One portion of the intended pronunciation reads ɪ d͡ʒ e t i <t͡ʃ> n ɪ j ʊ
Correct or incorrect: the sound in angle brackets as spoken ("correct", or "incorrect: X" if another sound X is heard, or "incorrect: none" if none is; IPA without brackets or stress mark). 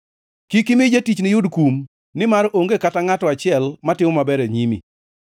correct